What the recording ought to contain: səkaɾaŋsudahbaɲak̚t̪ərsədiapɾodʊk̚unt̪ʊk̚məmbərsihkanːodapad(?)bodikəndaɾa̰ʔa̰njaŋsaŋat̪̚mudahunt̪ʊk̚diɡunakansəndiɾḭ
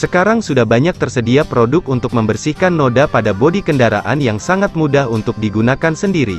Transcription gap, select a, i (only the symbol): a